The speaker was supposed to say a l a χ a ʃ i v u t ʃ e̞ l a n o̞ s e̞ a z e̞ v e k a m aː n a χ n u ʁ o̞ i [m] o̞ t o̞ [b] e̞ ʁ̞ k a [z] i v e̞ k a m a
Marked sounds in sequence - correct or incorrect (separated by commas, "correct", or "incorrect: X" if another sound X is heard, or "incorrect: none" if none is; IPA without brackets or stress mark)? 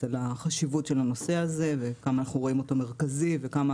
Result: correct, incorrect: m, correct